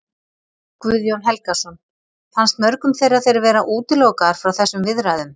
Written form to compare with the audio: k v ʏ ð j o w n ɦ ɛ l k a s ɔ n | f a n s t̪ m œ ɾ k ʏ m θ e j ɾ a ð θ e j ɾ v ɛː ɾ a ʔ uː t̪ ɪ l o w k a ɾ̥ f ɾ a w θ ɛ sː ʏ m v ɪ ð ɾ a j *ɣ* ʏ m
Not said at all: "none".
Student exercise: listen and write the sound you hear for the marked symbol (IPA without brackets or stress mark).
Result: ð